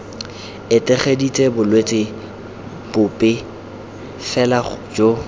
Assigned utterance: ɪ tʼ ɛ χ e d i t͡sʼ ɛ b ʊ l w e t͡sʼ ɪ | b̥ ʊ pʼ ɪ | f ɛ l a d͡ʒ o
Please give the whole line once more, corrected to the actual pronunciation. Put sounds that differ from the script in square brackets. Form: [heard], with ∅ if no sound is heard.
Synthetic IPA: ɪ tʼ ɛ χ e d i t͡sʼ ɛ b ʊ l w e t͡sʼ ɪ | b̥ ʊ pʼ ɪ | f ɛ l a d͡ʒ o